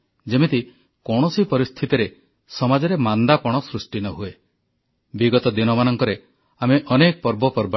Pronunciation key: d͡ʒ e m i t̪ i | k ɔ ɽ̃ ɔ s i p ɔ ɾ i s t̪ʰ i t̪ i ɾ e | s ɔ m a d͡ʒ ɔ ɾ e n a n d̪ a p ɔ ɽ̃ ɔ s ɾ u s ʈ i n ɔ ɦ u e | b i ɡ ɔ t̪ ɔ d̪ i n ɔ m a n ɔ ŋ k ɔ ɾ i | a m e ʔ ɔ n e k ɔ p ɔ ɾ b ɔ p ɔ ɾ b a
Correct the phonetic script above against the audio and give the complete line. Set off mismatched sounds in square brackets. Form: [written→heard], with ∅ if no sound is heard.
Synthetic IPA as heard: d͡ʒ e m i t̪ i | k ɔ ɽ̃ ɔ s i p ɔ ɾ i s t̪ʰ i t̪ i ɾ e | s ɔ m a d͡ʒ ɔ ɾ e [n→m] a n d̪ a p ɔ ɽ̃ ɔ s ɾ u s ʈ i n ɔ ɦ u e | b i ɡ ɔ t̪ ɔ d̪ i n ɔ m a n ɔ ŋ k ɔ ɾ [i→e] | a m e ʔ ɔ n e k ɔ p ɔ ɾ b ɔ p ɔ ɾ b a